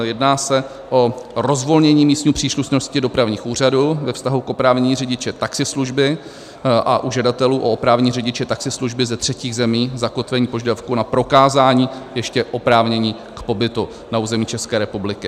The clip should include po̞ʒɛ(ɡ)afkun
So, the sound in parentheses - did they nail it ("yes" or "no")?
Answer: no